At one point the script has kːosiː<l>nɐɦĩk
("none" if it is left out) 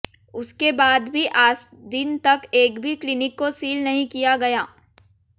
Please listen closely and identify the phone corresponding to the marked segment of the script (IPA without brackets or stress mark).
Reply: l